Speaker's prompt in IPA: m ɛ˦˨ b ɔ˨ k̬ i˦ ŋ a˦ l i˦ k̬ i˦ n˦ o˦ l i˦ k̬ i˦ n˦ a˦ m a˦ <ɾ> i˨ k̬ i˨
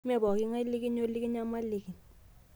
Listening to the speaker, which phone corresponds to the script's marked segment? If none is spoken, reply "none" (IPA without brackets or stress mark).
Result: l